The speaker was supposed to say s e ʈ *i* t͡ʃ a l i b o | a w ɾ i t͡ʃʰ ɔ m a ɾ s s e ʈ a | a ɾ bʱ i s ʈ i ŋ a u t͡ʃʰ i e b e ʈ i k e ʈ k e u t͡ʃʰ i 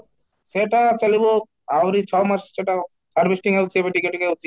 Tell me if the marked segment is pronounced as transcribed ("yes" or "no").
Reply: no